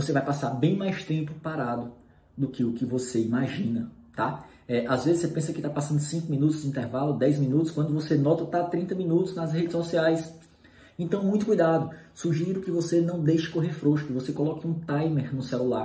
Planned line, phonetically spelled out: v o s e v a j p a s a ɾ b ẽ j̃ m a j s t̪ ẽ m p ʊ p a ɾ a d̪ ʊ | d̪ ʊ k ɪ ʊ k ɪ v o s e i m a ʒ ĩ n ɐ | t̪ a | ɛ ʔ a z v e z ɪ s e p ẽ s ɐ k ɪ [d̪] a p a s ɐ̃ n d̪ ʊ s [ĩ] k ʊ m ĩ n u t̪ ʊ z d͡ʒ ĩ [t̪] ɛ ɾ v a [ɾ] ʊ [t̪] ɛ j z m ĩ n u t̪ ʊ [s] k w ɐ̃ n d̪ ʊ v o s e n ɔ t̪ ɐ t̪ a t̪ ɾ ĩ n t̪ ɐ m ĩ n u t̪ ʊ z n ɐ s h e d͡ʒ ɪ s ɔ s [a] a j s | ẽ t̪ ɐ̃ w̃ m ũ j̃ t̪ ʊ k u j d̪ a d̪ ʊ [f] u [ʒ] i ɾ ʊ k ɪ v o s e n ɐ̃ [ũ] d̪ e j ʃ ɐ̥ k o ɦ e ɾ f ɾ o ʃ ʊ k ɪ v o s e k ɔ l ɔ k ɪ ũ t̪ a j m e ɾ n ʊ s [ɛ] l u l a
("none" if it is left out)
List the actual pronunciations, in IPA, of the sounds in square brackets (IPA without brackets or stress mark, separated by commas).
t̪, ĩ, t̪, l, d̪, s, i, s, ʒ, w̃, ɛ